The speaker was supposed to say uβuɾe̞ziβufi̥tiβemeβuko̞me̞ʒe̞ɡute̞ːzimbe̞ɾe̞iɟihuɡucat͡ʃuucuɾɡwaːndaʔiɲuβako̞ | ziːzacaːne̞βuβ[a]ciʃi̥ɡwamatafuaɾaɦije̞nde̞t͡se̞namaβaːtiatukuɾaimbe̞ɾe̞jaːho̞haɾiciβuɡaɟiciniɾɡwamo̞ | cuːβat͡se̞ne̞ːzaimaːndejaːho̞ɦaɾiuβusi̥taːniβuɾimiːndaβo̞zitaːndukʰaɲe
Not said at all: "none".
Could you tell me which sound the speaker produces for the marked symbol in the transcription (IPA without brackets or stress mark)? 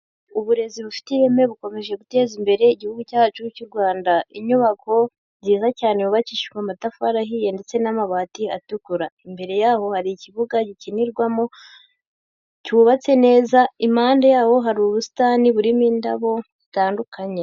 a